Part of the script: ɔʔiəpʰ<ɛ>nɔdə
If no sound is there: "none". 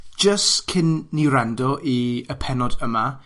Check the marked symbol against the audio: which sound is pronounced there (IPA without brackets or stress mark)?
ɛ